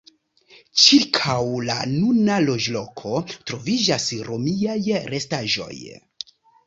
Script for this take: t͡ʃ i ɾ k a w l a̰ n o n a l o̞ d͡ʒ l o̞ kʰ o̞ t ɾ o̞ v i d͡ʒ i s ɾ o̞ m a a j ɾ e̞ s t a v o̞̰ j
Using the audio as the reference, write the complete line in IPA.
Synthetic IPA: t͡ʃ i ɾ kʰ a w l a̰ n u n a l o̞ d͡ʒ l o̞ kʰ o̞ t ɾ o̞ v i d͡ʒ a s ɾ o̞ m i a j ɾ e̞ s t a ʒ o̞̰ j